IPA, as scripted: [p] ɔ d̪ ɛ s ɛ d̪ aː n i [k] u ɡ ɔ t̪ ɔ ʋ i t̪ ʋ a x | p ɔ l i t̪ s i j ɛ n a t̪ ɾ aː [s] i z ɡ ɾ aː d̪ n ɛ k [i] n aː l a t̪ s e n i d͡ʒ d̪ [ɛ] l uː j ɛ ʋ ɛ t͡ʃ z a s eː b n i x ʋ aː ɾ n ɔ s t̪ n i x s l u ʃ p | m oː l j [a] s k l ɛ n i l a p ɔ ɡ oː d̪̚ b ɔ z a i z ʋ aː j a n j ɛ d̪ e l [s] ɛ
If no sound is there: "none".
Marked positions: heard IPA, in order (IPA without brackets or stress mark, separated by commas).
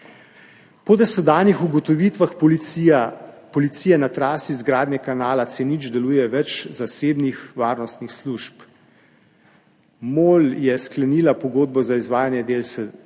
p, x, s, a, ɛ, ɛ, s